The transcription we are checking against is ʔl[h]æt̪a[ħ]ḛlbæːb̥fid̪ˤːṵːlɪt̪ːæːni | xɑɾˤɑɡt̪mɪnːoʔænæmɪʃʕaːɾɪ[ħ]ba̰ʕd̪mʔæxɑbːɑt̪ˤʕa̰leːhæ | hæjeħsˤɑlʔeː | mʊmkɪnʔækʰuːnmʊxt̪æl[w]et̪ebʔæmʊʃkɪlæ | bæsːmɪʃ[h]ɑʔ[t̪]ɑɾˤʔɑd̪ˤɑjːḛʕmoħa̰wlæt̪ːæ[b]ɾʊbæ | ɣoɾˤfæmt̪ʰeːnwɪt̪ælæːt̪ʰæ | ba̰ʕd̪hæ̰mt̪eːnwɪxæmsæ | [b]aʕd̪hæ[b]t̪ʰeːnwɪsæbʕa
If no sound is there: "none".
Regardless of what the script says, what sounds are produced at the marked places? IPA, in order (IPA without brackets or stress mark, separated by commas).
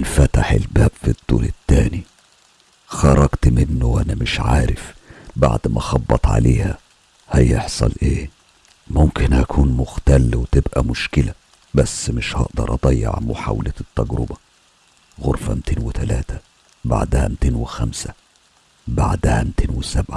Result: f, ħ, f, w, h, d̪, ɡ, b, m